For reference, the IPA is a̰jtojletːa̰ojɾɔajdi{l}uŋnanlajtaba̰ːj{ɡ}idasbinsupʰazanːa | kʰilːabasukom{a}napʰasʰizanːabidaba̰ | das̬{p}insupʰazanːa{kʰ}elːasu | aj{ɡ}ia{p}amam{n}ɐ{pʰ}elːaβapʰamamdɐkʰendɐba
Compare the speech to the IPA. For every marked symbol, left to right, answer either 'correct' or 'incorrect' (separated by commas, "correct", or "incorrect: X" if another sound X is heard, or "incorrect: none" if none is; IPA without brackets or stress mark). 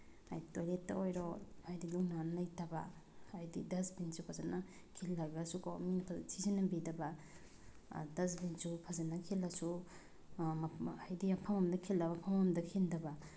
correct, incorrect: d, incorrect: i, incorrect: b, correct, incorrect: d, incorrect: pʰ, incorrect: d, incorrect: kʰ